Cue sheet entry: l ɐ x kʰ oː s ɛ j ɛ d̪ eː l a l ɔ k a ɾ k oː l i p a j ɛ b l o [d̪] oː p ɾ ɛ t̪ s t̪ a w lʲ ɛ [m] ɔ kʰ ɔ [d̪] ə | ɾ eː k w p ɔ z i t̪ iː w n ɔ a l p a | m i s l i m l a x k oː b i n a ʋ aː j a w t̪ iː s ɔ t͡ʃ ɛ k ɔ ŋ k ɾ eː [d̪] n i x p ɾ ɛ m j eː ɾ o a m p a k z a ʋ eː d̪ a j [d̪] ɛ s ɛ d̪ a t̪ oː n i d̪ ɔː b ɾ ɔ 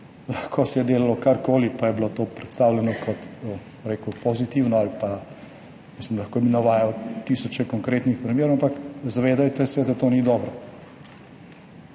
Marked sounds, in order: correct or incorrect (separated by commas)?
incorrect, incorrect, incorrect, incorrect, incorrect